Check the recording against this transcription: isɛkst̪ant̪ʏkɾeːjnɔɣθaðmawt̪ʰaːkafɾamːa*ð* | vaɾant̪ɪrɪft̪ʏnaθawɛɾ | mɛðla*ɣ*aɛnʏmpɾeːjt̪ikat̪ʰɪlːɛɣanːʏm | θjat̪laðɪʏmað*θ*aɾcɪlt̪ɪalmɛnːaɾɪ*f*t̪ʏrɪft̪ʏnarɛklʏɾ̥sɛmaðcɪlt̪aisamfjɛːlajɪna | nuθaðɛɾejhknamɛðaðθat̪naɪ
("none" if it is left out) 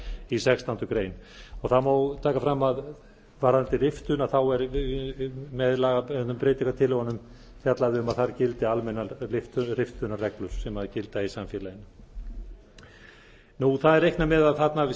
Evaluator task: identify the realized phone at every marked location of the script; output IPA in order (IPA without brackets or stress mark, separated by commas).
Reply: ð, ɣ, θ, f